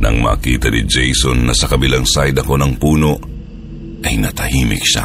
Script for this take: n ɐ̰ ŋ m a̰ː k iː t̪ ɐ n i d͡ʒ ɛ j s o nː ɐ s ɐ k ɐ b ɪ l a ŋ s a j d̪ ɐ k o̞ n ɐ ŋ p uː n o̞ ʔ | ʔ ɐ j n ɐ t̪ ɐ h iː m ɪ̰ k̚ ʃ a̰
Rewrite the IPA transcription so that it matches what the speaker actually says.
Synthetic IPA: n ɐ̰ ŋ m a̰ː k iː t̪ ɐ n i d͡ʒ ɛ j s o nː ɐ s ɐ k ɐ b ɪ l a ŋ s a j d̪ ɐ k o̞ n ɐ ŋ p uː n o̞ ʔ | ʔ ɐ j n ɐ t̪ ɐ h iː m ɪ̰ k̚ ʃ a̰